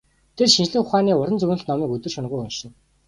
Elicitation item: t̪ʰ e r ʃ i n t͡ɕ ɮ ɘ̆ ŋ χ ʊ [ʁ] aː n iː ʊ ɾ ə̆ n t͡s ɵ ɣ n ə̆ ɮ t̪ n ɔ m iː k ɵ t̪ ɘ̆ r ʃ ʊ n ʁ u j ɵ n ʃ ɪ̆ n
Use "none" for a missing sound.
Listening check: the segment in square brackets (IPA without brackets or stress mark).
χ